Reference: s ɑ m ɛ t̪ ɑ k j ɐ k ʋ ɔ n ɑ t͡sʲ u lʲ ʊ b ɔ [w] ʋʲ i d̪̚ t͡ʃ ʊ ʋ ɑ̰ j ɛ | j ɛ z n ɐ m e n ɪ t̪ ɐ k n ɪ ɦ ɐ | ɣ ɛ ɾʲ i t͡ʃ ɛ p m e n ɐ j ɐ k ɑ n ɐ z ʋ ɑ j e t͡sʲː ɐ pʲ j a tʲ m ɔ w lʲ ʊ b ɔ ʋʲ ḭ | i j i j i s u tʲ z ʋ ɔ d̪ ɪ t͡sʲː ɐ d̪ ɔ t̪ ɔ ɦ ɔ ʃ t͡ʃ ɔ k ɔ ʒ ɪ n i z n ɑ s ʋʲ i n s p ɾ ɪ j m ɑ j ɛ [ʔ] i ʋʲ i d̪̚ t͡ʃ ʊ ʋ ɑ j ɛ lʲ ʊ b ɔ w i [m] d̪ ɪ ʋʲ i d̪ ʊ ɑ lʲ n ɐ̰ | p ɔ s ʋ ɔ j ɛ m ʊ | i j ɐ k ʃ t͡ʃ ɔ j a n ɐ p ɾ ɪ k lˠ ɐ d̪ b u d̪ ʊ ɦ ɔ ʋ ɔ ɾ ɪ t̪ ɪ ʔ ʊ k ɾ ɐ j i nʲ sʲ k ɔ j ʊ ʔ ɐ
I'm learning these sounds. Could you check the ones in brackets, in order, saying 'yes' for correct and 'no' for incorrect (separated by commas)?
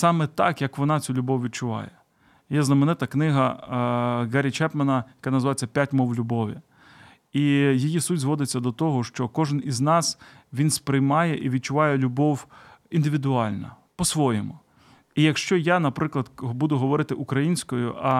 yes, yes, no